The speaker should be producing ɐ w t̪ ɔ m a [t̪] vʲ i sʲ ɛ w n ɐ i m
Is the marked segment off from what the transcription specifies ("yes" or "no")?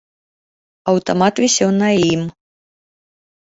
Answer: no